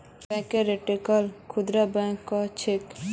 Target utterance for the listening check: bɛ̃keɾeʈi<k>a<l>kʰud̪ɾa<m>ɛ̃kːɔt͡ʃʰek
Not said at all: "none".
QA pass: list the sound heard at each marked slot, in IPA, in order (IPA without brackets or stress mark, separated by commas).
k, l, b